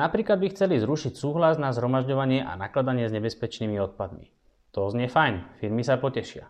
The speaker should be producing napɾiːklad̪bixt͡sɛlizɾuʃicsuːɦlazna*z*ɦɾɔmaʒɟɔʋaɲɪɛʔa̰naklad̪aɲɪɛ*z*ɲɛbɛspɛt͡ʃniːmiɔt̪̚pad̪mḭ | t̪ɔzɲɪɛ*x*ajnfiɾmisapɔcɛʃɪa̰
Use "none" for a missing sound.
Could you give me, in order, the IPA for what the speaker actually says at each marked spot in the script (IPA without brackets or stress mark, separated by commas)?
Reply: z, z, f